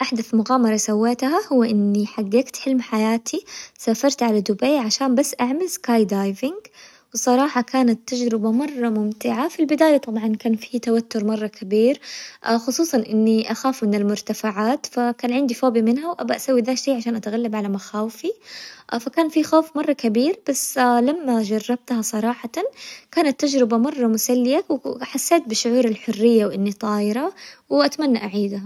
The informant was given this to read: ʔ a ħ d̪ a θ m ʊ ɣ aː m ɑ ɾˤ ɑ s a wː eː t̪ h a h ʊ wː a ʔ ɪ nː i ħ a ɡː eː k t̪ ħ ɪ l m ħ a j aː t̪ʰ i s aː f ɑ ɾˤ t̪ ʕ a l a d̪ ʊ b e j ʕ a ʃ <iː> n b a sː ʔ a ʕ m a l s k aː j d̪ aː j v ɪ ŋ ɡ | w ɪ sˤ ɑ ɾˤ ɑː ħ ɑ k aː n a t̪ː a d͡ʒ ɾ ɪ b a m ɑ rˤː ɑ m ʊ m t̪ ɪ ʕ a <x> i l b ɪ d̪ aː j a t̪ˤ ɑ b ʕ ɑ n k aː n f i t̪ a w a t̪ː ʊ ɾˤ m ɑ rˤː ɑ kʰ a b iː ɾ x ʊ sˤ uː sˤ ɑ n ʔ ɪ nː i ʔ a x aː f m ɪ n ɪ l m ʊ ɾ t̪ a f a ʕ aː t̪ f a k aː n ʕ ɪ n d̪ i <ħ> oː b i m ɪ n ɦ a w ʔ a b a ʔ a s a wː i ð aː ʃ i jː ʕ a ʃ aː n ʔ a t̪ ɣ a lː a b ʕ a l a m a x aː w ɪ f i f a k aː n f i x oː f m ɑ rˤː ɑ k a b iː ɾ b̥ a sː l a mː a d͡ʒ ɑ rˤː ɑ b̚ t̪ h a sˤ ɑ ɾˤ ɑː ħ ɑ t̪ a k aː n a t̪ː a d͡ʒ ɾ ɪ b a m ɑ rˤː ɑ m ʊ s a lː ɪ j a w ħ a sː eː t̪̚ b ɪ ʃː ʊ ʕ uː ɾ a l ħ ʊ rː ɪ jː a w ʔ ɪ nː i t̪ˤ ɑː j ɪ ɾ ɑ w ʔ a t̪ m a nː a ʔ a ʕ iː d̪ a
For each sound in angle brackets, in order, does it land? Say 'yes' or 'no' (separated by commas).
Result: no, no, no